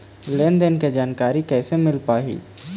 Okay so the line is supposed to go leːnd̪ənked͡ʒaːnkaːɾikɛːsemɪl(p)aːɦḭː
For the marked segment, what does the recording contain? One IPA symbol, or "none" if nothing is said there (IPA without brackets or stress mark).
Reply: p